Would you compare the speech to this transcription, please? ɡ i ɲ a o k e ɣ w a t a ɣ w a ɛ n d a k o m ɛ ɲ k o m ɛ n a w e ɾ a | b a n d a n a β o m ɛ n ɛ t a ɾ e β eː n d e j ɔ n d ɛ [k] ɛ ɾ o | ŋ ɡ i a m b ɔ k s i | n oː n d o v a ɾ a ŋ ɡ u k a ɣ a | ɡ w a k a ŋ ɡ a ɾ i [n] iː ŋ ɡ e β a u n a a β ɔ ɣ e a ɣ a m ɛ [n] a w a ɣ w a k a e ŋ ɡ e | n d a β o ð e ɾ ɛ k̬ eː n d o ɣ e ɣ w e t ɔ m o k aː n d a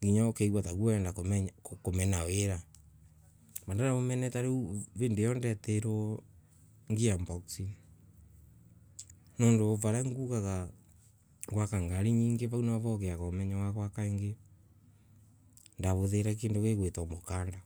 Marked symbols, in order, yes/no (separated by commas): no, no, no